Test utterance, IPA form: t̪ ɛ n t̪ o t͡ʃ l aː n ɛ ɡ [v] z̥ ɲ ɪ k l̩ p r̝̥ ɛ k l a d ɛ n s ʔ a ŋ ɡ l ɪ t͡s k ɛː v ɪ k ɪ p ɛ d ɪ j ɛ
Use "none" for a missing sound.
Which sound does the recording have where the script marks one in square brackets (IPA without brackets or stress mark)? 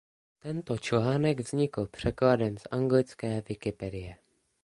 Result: v